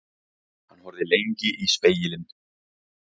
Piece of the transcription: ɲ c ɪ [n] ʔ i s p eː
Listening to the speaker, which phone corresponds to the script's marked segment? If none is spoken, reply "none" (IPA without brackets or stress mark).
none